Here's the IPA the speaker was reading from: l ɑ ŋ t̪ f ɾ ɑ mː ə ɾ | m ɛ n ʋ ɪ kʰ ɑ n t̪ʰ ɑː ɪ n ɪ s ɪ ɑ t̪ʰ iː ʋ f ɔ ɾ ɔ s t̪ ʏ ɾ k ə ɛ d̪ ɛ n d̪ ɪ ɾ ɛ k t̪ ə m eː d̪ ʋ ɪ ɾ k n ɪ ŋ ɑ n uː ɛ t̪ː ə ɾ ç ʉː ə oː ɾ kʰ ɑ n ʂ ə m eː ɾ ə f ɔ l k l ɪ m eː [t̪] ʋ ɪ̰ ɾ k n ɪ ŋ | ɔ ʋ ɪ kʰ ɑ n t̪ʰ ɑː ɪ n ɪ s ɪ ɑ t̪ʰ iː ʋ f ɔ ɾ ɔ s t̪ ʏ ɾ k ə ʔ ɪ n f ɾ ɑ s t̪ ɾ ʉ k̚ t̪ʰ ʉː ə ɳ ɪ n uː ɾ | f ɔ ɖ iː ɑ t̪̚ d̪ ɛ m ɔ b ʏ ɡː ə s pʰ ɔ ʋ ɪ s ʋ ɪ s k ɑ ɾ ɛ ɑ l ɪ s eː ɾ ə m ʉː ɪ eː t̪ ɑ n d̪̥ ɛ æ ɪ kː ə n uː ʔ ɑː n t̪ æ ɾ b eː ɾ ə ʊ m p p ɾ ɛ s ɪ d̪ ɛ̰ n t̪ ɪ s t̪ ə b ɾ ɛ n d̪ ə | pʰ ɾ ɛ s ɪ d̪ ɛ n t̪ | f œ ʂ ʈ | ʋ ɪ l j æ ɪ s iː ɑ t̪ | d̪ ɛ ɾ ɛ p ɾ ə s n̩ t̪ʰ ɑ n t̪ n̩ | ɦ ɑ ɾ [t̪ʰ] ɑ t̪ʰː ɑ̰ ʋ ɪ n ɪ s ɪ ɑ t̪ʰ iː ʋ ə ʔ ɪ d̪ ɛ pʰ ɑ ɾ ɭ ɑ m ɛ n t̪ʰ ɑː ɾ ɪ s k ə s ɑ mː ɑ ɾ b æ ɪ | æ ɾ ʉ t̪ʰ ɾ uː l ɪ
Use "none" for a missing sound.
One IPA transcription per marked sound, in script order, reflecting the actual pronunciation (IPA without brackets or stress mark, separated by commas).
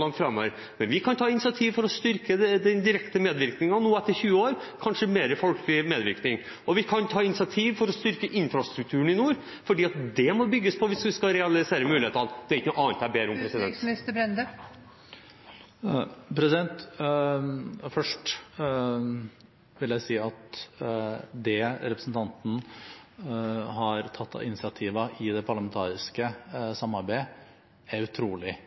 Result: d̪, t̪ʰ